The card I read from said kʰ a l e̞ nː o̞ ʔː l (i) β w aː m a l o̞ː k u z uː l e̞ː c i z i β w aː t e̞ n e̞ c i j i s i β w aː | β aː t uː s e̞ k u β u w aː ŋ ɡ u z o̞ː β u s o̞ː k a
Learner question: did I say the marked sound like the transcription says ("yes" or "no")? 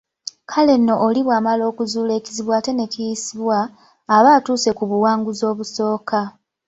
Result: yes